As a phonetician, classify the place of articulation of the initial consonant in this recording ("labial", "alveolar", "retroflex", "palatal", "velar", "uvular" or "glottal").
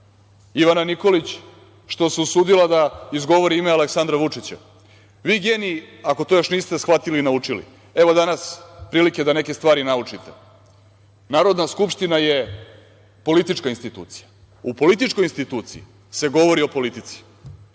labial